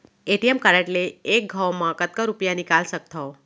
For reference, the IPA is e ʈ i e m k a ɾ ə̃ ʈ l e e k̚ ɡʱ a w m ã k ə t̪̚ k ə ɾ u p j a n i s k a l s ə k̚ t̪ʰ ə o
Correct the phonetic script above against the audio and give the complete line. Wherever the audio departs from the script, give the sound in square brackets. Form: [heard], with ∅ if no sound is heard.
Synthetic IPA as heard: e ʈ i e m k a ɾ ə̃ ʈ l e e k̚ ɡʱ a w m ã k ə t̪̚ k ə ɾ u p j a n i [∅] k a l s ə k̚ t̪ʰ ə o